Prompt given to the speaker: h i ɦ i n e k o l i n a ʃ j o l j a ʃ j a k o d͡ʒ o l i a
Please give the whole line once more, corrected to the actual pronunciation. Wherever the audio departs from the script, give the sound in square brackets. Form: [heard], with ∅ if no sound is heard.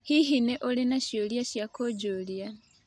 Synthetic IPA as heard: h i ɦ i n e [ʔ] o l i n a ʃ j o l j a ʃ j a k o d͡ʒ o l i a